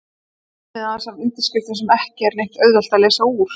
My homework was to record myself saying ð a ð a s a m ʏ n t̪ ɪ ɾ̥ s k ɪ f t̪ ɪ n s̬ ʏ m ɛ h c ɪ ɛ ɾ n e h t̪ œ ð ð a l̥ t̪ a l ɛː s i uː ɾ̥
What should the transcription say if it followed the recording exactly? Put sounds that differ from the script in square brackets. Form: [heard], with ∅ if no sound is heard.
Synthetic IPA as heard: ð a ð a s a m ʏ n t̪ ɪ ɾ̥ s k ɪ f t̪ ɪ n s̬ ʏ m ɛ h c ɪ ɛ ɾ n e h t̪ œ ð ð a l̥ t̪ a l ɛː s [a] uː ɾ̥